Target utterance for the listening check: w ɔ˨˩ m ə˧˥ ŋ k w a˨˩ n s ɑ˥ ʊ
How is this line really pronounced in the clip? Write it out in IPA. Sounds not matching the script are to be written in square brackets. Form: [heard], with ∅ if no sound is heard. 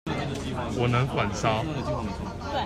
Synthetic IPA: w ɔ˨˩ [n] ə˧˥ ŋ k w a˨˩ n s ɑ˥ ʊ